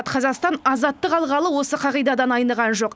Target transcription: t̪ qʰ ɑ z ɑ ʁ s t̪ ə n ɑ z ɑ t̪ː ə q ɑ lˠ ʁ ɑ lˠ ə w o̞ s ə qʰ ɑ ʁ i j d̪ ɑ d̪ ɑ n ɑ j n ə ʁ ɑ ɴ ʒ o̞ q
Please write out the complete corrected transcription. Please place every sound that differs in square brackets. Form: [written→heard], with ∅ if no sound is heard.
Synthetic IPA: t̪ qʰ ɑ z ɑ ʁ s t̪ [ə→ɑ] n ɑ z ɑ t̪ː ə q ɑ lˠ ʁ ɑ lˠ ə w o̞ s ə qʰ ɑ ʁ i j d̪ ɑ d̪ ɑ n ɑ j n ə ʁ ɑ [ɴ→n] ʒ o̞ q